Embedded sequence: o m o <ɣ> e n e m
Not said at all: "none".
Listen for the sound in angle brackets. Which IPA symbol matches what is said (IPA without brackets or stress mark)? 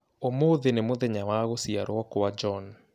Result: ð